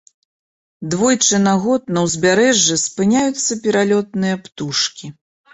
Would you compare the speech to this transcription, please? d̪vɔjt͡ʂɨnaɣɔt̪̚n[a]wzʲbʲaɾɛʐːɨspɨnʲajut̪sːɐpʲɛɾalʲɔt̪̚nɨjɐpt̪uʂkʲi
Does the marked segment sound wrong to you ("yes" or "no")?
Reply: yes